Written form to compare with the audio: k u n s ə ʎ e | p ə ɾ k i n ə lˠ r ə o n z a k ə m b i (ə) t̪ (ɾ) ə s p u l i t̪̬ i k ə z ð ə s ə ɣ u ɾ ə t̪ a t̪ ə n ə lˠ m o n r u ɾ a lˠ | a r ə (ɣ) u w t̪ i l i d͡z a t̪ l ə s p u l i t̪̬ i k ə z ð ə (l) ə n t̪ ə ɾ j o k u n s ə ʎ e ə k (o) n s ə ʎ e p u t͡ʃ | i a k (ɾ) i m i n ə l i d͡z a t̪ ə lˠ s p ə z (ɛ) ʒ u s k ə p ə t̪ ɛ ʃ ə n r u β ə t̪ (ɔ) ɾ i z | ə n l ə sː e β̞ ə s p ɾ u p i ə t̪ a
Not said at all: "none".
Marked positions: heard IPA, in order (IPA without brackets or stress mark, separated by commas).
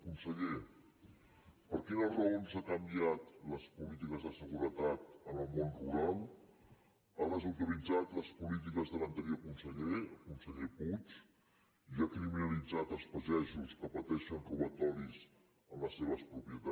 a, l, z, l, u, ɾ, ɛ, ɔ